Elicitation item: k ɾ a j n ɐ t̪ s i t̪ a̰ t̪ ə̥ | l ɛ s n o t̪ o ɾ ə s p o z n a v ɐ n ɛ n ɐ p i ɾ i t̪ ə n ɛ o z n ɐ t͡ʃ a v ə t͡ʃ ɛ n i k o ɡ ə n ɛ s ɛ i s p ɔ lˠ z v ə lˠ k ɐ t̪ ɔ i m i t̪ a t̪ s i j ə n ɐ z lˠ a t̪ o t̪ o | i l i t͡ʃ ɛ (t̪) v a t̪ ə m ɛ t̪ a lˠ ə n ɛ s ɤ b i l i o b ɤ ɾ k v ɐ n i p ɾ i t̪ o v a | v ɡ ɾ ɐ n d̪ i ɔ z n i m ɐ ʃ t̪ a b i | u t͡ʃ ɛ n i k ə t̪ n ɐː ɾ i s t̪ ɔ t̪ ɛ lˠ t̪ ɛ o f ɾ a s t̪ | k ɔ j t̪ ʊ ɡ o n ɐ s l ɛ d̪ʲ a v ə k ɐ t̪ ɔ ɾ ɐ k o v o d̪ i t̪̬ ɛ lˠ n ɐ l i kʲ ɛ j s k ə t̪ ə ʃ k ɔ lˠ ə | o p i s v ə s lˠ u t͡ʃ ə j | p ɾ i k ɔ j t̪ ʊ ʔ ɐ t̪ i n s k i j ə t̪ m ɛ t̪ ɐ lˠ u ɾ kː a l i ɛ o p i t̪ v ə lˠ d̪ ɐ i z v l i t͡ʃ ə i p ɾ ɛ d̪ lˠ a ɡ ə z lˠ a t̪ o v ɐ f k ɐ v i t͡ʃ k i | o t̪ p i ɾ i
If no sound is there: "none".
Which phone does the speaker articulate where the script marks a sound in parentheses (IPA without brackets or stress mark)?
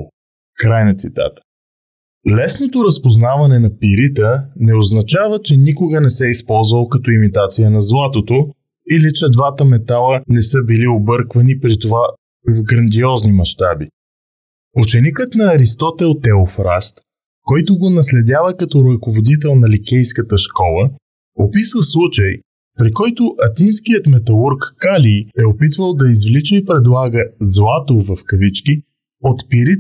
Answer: d̪